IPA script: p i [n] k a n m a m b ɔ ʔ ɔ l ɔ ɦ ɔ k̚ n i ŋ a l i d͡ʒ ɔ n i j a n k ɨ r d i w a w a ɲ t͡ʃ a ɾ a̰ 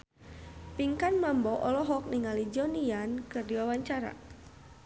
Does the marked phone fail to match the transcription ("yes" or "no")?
yes